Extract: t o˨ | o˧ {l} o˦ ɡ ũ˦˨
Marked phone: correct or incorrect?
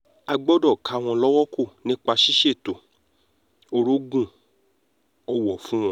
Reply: incorrect